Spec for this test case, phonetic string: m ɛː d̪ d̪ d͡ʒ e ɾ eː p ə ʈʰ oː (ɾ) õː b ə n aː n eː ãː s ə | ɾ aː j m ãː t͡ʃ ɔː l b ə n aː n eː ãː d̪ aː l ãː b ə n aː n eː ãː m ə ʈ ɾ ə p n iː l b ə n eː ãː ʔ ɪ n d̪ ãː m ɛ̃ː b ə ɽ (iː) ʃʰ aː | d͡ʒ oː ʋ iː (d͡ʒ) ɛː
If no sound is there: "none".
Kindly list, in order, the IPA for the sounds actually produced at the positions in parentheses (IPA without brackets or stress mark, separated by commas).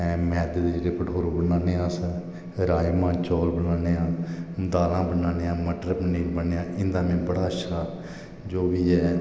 ɾ, aː, none